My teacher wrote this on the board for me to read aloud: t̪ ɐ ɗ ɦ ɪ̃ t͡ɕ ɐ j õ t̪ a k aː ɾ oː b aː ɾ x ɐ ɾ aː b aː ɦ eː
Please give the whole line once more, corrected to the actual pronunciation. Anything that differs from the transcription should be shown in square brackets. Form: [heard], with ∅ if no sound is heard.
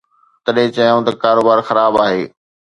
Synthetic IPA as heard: t̪ ɐ ɗ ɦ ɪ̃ t͡ɕ ɐ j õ t̪ [ɐ] k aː ɾ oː b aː ɾ x ɐ ɾ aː b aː ɦ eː